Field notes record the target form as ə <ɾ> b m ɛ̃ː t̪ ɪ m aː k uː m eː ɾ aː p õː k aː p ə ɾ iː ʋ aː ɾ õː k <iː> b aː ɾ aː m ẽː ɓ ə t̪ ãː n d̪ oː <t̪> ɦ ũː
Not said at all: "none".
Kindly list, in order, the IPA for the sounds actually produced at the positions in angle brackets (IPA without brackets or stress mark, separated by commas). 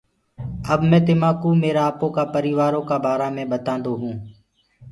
none, aː, none